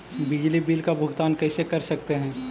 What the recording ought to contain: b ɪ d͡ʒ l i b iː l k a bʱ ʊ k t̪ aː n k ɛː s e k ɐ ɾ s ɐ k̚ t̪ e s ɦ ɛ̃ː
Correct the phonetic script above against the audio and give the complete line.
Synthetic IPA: b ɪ d͡ʒ l i b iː l k a bʱ ʊ ɡ t̪ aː n k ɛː s e k ɐ ɾ s ɐ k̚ t̪ e ɦ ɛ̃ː